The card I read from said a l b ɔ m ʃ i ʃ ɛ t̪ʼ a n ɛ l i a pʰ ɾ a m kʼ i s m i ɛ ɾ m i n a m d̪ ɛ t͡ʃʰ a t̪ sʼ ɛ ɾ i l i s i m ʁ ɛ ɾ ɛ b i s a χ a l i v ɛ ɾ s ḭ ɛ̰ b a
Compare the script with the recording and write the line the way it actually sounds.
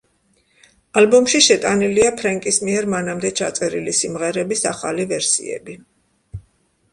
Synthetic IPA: a l b ɔ m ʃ i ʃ ɛ t̪ʼ a n i l i a pʰ ɾ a ŋ kʼ i s m i ɛ ɾ m a n a m d̪ ɛ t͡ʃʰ a t̪ sʼ ɛ ɾ i l i s i m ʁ ɛ ɾ ɛ b i s a χ a l i v ɛ ɾ s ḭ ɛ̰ b i